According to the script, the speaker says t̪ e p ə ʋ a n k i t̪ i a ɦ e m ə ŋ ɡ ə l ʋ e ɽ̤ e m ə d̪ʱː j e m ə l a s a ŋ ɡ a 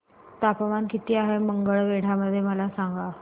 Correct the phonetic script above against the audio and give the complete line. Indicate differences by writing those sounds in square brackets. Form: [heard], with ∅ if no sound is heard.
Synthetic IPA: t̪ [a] p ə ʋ a n k i t̪ [iː] a ɦ e m ə ŋ ɡ ə [ɭ] ʋ e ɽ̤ [a] m ə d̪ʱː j e m ə l a s a ŋ ɡ a